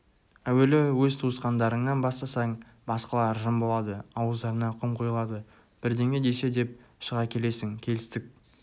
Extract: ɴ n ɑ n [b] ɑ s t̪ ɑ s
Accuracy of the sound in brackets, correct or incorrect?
correct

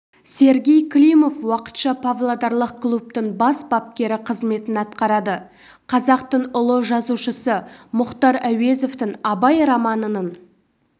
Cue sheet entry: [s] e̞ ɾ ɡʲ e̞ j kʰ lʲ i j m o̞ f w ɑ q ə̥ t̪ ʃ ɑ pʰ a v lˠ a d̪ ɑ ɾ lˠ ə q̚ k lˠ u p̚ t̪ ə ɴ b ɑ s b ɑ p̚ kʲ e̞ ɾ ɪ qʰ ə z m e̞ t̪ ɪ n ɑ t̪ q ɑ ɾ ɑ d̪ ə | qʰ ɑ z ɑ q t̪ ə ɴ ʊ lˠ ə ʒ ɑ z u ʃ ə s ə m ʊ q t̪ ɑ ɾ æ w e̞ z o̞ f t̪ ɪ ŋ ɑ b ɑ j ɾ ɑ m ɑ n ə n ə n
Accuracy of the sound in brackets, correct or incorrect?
correct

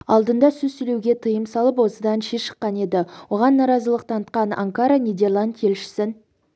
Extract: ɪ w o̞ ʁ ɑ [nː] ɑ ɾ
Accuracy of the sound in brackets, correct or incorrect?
correct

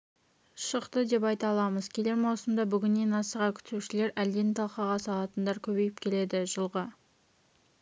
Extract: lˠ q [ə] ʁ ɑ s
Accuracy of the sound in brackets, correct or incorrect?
incorrect: ɑ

